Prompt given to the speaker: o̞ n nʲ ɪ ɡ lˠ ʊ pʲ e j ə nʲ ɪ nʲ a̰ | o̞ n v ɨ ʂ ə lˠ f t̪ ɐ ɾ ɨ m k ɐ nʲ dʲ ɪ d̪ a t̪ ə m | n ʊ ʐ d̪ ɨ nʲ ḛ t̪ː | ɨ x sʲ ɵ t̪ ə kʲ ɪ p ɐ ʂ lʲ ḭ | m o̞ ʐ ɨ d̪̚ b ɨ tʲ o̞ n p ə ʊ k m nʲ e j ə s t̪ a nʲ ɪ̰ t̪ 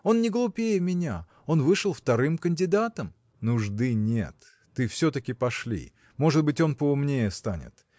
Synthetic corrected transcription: o̞ n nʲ ɪ ɡ lˠ ʊ pʲ e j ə mʲ ɪ nʲ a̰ | o̞ n v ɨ ʂ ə lˠ f t̪ ɐ ɾ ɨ m k ə nʲ dʲ ɪ d̪ a t̪ ə m | n ʊ ʐ d̪ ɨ nʲ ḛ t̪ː | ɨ f sʲ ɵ t̪ ə kʲ ɪ p ɐ ʂ lʲ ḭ | m o̞ ʐ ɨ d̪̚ b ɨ tʲ o̞ n p ə ʊ m nʲ e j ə s t̪ a nʲ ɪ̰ t̪